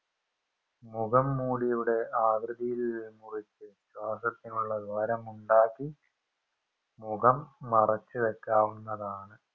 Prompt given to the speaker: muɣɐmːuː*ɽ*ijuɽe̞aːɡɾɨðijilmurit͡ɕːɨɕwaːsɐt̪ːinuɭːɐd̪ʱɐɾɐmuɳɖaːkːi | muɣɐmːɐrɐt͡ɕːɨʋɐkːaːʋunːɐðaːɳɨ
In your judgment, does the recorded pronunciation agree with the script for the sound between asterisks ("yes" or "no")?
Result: yes